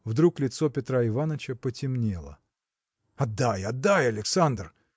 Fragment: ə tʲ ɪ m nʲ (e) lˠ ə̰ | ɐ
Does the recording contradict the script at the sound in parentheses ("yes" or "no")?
no